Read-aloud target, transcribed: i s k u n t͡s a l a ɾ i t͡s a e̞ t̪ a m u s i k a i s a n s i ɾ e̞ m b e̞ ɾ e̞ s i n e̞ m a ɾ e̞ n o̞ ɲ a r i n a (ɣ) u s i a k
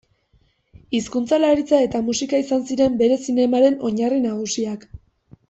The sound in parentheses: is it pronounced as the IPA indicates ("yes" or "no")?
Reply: yes